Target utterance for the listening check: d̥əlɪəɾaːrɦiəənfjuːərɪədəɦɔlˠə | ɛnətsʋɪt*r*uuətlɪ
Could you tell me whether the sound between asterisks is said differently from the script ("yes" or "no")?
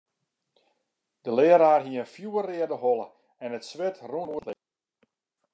no